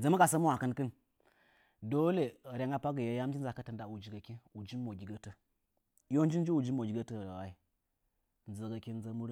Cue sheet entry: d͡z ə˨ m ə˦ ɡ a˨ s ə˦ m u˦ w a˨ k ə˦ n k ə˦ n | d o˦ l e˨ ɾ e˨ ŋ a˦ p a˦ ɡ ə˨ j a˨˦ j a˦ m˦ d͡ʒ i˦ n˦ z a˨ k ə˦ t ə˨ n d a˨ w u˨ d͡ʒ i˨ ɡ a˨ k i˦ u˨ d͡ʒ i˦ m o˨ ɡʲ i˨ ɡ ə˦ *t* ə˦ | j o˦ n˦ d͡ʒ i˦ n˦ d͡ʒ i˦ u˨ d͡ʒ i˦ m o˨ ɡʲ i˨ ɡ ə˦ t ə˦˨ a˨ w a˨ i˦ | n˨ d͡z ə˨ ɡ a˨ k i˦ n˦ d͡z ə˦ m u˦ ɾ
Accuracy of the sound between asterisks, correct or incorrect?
correct